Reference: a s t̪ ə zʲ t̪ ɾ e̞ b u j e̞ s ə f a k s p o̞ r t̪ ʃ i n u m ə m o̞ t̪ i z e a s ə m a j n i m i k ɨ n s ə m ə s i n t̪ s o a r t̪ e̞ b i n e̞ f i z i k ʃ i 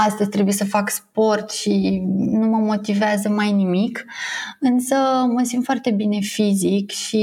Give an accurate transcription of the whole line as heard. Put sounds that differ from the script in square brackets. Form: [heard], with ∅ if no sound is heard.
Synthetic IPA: a s t̪ ə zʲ t̪ ɾ e̞ b u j e̞ s ə f a k s p o̞ r t̪ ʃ i n u m ə m o̞ t̪ i [v] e a [z] ə m a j n i m i k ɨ n s ə m ə s i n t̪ [f] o a r t̪ e̞ b i n e̞ f i z i k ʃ i